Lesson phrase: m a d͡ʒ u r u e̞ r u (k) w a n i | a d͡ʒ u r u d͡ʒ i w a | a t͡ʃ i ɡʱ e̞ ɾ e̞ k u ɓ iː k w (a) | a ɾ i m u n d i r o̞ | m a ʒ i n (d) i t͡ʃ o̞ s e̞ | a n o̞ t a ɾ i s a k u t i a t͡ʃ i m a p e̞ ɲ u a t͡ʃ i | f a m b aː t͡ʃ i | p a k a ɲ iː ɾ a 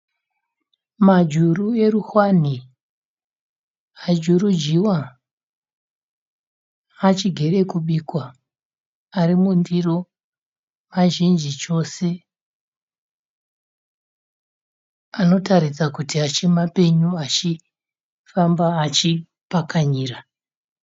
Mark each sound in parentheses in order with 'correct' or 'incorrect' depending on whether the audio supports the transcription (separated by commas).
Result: incorrect, correct, incorrect